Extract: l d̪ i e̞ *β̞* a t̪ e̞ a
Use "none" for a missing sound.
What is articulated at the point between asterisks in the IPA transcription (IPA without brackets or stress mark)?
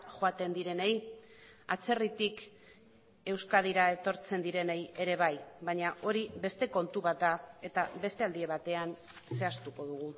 β̞